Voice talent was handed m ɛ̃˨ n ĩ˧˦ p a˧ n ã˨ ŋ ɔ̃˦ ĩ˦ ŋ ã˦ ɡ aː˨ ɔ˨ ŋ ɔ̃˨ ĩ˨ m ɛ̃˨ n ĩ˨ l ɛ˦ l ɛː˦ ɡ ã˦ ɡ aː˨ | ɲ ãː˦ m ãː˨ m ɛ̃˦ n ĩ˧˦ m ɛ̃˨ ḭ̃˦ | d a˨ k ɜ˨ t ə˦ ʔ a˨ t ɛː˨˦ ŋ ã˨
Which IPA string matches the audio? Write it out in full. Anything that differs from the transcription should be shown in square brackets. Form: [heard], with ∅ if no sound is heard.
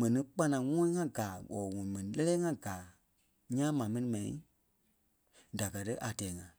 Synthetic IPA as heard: m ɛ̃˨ n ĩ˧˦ [k͡p] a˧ n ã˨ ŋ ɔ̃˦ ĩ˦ ŋ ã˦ ɡ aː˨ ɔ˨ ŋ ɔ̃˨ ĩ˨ m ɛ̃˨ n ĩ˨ l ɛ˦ l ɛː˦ [ŋ] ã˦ ɡ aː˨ | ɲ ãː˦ m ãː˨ m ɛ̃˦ n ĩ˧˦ m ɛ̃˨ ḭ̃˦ | d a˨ k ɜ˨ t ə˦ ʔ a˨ t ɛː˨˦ ŋ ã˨